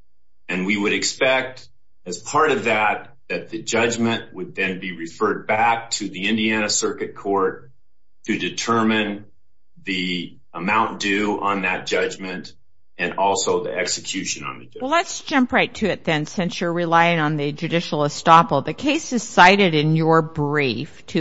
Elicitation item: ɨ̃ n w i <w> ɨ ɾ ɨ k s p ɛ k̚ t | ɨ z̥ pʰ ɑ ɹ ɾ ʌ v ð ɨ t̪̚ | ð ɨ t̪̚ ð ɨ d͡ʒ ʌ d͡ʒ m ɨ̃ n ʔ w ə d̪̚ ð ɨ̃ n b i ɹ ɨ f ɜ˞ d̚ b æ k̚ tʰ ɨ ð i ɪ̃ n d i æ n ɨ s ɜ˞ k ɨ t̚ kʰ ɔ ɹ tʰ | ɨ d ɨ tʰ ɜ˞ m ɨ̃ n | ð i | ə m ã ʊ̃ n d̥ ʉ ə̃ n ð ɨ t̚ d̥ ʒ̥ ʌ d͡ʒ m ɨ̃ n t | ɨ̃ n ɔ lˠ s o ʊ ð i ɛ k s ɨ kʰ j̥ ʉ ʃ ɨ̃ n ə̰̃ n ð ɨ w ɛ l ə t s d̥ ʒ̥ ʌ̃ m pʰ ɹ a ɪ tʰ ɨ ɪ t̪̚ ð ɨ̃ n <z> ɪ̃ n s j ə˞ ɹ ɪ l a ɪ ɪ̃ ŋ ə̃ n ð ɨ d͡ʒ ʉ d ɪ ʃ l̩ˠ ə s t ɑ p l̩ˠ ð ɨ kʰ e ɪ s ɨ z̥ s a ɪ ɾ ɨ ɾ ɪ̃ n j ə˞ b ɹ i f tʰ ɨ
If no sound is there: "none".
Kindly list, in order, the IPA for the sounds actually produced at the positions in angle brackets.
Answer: w, s

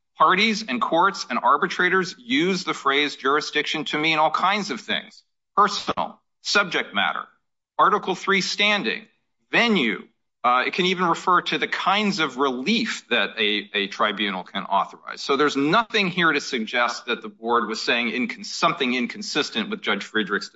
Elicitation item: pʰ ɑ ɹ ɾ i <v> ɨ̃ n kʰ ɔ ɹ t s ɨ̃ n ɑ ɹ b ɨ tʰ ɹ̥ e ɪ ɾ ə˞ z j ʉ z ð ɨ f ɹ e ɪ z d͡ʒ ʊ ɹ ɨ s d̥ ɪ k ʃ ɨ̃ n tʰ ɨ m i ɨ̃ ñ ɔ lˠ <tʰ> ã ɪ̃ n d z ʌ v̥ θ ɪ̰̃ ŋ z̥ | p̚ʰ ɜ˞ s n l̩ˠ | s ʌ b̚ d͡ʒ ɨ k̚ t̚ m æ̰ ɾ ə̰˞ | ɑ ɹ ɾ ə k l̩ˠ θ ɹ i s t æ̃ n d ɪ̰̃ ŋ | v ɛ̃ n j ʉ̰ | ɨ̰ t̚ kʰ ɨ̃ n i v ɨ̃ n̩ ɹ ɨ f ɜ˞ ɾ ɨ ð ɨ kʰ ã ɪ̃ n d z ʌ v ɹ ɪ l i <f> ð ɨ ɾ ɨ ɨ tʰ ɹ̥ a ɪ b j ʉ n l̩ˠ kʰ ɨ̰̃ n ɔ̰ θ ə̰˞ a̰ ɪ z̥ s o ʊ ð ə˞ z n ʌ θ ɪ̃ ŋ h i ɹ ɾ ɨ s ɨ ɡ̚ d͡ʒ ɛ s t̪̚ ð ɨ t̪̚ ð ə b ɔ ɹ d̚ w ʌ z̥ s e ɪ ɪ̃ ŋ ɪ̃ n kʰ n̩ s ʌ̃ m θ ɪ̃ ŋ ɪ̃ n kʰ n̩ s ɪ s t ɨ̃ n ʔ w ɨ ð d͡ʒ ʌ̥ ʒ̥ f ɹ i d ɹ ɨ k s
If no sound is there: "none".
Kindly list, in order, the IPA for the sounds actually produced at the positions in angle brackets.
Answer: z, kʰ, f

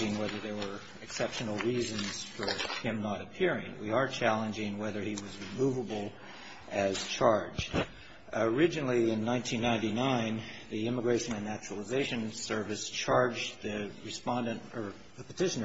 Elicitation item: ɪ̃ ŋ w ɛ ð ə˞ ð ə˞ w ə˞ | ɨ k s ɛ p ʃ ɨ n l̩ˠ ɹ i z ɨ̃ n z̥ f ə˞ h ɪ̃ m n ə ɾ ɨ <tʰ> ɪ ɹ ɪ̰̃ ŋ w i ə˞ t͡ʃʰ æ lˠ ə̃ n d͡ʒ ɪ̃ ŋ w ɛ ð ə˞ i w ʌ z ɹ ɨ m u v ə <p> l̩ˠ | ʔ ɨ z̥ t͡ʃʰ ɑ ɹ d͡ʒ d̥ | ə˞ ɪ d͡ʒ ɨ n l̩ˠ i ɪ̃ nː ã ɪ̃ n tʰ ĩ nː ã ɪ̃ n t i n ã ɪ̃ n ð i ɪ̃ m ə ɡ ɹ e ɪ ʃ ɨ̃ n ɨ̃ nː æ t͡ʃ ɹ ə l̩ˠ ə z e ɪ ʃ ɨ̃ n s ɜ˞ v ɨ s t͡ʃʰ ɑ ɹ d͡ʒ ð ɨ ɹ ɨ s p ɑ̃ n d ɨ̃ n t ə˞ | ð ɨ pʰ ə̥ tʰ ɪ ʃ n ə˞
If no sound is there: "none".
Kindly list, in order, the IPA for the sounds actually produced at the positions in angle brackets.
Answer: pʰ, b

